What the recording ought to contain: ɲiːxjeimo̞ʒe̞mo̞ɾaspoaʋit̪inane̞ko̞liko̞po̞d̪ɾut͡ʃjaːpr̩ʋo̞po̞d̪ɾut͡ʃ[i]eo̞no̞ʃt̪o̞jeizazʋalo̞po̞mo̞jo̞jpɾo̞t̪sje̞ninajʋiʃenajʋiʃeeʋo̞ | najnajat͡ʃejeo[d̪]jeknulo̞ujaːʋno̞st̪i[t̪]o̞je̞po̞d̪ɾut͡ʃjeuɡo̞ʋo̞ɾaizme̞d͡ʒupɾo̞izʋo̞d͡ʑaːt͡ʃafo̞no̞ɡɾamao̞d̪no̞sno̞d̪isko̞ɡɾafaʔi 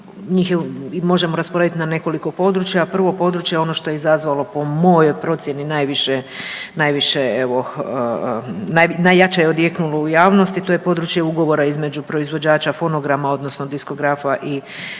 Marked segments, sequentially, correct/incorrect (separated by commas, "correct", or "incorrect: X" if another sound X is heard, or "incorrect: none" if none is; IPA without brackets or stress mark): incorrect: j, correct, correct